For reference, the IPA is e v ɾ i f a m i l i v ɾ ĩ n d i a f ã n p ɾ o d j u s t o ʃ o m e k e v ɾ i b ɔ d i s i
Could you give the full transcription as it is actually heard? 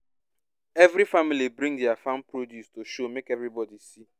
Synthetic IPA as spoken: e v ɾ i f a m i l i b ɾ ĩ ŋ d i a f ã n p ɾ o d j u s t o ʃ o m e k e v ɾ i b ɔ d i s i